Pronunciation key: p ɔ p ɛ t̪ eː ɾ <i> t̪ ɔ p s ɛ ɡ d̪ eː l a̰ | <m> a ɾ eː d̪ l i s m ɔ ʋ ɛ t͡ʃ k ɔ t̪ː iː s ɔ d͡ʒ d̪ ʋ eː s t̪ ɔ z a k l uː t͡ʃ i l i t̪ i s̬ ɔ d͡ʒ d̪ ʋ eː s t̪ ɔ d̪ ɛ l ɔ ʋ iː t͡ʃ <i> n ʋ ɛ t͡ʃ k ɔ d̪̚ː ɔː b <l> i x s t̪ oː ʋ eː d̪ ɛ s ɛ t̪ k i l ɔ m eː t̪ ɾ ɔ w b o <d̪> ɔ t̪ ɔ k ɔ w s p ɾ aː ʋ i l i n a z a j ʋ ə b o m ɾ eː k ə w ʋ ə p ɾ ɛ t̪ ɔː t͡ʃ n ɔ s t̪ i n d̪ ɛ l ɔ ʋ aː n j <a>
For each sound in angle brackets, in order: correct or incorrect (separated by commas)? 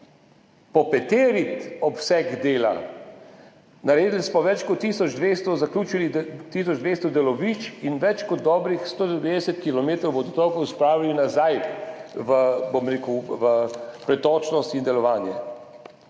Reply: correct, incorrect, correct, incorrect, correct, incorrect